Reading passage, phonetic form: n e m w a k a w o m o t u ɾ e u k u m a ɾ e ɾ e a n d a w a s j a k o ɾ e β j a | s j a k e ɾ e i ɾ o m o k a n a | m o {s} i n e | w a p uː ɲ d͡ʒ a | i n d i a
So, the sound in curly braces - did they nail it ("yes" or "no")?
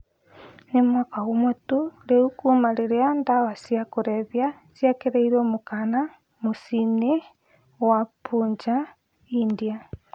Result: yes